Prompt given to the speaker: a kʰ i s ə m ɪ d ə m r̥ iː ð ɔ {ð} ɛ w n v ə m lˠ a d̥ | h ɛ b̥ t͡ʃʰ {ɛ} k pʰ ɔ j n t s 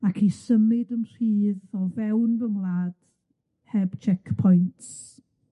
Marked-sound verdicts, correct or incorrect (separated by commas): incorrect, correct